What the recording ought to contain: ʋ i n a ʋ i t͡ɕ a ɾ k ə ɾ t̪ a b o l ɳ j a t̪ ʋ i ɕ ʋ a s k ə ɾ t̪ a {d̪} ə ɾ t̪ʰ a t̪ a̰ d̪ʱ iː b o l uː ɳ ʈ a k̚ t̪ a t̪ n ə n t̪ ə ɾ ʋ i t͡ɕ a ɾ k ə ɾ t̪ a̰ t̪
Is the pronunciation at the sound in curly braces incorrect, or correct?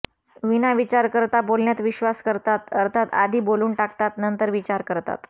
incorrect